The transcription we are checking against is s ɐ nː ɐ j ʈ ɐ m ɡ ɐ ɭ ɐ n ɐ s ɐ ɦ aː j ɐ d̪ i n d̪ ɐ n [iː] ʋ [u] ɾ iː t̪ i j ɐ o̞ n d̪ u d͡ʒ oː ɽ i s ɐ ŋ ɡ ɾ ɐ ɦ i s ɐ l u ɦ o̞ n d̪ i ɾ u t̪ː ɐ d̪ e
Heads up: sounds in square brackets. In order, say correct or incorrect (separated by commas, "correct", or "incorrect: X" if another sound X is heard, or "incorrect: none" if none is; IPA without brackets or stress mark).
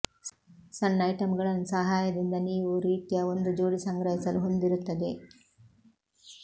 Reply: correct, correct